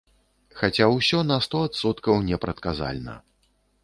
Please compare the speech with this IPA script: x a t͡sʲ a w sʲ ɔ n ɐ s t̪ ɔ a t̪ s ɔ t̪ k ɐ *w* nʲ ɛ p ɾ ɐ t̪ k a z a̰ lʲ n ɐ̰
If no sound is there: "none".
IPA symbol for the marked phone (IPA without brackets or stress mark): w